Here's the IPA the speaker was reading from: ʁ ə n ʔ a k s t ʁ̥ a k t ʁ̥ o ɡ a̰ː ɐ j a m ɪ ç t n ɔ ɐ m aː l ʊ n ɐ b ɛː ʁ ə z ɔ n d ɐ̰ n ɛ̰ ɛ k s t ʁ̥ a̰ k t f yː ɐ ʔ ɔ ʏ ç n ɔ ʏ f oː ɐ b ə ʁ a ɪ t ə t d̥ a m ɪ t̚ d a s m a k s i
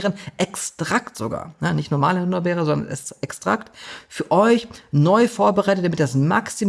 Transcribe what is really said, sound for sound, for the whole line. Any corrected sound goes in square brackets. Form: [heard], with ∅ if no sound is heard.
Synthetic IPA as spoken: ʁ ə n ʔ [ɛ] k s t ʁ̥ a k t [z̥] o ɡ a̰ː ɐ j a [n] ɪ ç t n ɔ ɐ m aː l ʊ n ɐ b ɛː ʁ ə z ɔ n d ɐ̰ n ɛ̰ ɛ k s t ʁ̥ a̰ k t f yː ɐ ʔ ɔ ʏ ç n ɔ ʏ f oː ɐ b ə ʁ a ɪ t ə t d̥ a m ɪ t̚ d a s m a k s i